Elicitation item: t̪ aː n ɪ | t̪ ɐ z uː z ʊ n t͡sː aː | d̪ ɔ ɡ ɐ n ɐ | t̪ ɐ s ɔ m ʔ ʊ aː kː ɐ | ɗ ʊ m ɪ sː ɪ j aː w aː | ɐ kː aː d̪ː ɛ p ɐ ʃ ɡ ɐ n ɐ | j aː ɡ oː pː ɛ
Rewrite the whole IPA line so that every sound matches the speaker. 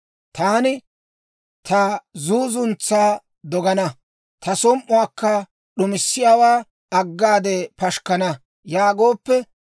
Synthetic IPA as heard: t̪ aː n ɪ | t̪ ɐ z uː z ʊ n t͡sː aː | d̪ ɔ ɡ ɐ n ɐ | t̪ ɐ s ɔ m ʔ ʊ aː kː ɐ | ɗ ʊ m ɪ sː ɪ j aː w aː | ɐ ɡː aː d̪ ɛ p ɐ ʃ k ɐ n ɐ | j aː ɡ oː pː ɛ